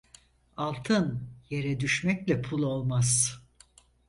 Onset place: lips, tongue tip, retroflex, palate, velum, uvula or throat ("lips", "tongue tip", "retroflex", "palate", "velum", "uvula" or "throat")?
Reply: tongue tip